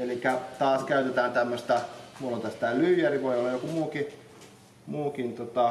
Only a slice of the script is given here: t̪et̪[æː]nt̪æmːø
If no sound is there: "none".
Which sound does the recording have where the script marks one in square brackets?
æː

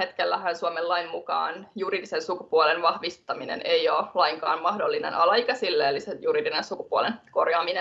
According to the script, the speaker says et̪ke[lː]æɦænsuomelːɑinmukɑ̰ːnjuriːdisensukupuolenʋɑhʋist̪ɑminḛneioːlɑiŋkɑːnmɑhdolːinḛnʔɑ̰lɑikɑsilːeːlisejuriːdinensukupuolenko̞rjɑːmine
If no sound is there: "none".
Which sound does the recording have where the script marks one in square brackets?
lː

